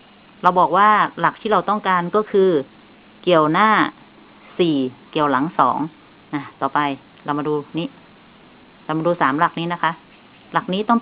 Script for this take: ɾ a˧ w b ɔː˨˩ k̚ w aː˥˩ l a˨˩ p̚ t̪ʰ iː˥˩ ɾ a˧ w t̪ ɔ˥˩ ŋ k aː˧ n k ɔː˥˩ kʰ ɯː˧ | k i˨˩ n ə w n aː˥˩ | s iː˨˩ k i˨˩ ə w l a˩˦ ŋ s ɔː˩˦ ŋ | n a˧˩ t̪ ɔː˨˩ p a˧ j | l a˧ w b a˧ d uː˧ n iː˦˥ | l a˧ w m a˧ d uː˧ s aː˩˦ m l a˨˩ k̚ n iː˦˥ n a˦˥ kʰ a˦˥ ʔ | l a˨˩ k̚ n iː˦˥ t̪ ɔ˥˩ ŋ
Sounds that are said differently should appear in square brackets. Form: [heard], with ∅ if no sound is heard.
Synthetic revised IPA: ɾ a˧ w b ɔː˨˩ k̚ w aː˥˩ l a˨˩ [k̚] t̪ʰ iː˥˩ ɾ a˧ w t̪ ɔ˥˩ ŋ k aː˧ n k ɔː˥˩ kʰ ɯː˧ | k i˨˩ [∅] ə w n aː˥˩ | s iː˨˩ k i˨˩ ə w l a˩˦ ŋ s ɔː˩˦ ŋ | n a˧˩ t̪ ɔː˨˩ p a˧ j | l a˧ w [m] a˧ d uː˧ n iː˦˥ | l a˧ w m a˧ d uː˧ s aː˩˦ m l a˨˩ k̚ n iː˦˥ n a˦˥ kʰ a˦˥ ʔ | l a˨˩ k̚ n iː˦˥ t̪ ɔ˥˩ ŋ

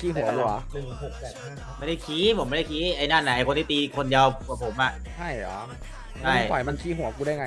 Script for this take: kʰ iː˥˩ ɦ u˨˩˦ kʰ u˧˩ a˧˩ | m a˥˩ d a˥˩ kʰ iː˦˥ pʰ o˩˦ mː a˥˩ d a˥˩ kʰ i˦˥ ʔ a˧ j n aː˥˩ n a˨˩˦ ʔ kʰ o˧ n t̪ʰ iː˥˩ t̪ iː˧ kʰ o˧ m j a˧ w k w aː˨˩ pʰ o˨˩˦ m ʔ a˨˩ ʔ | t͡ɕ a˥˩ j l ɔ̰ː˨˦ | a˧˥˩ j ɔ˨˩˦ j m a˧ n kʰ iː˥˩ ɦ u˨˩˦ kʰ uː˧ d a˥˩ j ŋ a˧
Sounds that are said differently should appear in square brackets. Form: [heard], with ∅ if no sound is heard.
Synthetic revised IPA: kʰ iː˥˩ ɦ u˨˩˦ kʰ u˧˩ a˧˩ | m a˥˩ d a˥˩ kʰ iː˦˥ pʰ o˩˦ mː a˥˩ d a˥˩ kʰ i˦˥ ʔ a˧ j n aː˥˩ n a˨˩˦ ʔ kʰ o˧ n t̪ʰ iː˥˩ t̪ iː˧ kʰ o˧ [n] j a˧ w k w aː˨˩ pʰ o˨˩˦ m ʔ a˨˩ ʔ | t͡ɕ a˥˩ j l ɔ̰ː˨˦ | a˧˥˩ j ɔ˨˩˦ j m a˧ n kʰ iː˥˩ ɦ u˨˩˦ [k] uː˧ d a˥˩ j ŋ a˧

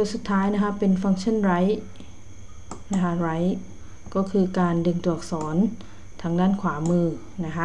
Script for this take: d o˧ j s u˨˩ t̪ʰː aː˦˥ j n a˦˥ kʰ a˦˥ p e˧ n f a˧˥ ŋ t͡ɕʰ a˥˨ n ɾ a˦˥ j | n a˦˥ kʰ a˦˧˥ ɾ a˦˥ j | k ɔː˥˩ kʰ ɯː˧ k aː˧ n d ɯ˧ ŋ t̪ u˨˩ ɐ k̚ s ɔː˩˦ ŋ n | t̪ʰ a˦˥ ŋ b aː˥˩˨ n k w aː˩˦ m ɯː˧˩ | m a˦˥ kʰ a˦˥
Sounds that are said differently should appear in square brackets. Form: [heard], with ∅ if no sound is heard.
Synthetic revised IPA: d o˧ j s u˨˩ t̪ʰː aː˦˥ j n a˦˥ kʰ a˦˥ p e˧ n f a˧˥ ŋ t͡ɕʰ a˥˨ n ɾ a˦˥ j | n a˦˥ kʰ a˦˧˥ ɾ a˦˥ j | k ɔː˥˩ kʰ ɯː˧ k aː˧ n d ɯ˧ ŋ t̪ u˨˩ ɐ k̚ s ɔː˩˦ [∅] n | t̪ʰ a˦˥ ŋ [d] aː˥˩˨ n [kʰ] w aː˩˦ m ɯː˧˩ | [n] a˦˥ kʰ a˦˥

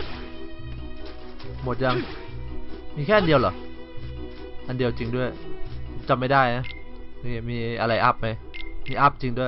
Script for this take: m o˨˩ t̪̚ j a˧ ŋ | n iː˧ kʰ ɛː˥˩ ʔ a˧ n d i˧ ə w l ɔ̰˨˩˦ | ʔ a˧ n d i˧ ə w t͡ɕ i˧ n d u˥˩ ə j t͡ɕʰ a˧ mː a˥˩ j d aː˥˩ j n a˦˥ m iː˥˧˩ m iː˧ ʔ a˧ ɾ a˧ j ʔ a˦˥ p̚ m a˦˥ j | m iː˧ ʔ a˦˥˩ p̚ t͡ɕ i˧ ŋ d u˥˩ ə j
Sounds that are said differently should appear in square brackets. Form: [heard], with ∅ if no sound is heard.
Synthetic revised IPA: m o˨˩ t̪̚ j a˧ ŋ | [m] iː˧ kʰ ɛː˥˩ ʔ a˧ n d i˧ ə w l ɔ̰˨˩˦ | ʔ a˧ n d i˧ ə w t͡ɕ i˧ [ŋ] d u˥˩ ə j [t͡ɕ] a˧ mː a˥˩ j d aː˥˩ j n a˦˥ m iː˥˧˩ m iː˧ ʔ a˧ ɾ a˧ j ʔ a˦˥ p̚ m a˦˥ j | m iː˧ ʔ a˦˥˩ p̚ t͡ɕ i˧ ŋ d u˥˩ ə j

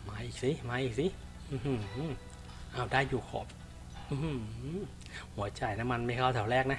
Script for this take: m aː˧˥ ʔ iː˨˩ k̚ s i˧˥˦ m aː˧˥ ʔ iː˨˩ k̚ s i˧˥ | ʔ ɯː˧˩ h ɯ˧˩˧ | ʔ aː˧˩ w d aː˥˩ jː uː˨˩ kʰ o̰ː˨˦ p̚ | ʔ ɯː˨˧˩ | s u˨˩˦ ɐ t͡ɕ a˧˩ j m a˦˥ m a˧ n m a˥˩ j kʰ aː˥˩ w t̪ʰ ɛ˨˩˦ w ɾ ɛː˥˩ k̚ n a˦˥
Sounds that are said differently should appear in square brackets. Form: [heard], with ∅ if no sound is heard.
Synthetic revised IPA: m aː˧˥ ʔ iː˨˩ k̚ s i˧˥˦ m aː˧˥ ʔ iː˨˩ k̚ s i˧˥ | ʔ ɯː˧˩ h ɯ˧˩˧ | ʔ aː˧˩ w d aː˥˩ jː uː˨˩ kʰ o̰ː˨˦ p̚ | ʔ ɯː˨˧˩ | [h] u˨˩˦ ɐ t͡ɕ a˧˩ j [n] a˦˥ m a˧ n m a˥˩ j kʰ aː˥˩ w t̪ʰ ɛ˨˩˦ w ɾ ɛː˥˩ k̚ n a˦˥

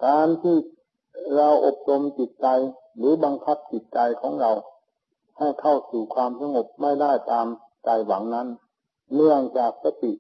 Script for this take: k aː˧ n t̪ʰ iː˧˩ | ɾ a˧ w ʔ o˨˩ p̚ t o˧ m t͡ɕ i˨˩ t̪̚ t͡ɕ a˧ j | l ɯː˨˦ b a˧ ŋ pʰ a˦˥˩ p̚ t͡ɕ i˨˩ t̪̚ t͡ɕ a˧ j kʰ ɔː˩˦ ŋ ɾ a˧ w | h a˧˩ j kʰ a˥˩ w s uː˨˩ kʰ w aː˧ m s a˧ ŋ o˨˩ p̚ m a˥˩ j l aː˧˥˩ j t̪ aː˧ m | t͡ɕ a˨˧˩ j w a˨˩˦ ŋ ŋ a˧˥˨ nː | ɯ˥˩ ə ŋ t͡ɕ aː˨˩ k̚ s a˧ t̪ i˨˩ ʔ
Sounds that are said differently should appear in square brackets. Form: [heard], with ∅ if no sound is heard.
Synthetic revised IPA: k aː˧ n t̪ʰ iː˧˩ | ɾ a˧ w ʔ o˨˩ p̚ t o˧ m t͡ɕ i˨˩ t̪̚ t͡ɕ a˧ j | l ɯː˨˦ b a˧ ŋ [kʰ] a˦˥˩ p̚ t͡ɕ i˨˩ t̪̚ t͡ɕ a˧ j kʰ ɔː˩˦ ŋ ɾ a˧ w | h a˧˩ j kʰ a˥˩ w s uː˨˩ kʰ w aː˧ m s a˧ ŋ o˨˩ p̚ m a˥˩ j l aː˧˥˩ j t̪ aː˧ m | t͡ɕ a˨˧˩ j w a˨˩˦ ŋ [n] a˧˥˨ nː | ɯ˥˩ ə ŋ t͡ɕ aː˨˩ k̚ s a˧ t̪ i˨˩ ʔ

